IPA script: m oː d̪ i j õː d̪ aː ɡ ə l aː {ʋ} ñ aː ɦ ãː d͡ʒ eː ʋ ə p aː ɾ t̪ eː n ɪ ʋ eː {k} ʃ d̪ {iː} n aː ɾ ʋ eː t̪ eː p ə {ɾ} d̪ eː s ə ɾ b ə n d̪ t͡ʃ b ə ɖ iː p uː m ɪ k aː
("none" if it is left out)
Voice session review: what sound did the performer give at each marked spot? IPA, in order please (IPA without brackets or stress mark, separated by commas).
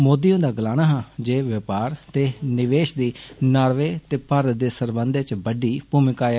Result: none, none, iː, ɾ